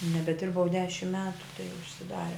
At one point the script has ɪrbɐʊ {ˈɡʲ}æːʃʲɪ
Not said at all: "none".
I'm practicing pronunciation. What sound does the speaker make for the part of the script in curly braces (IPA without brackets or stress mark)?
dʲ